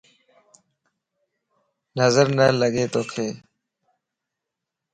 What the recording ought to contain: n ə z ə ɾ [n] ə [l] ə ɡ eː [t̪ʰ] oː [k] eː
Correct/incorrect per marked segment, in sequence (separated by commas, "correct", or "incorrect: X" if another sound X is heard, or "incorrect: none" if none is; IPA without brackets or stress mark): correct, correct, incorrect: t̪, incorrect: kʰ